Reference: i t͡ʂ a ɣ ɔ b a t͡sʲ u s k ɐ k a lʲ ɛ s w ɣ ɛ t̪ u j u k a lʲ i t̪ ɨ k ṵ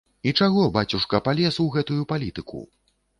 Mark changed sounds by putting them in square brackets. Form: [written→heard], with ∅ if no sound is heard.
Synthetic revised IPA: i t͡ʂ a ɣ ɔ b a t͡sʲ u [s→ʂ] k ɐ [k→p] a lʲ ɛ s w ɣ ɛ t̪ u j u [k→p] a lʲ i t̪ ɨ k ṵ